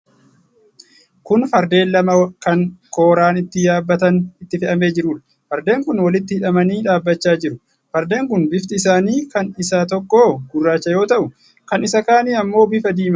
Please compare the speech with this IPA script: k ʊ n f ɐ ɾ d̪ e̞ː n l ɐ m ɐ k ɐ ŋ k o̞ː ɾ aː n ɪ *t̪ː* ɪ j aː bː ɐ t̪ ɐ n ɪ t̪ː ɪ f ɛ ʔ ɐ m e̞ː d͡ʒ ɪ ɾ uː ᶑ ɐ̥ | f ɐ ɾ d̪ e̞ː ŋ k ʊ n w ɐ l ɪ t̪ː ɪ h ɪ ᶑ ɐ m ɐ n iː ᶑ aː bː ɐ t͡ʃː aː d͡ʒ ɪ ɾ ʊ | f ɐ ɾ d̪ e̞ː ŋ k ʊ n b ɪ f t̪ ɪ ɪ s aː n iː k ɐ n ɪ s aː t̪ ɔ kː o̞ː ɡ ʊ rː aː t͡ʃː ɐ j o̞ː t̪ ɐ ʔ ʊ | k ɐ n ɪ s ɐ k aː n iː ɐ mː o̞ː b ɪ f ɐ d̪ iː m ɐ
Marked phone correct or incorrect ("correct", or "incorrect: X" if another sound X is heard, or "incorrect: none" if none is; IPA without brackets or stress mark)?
correct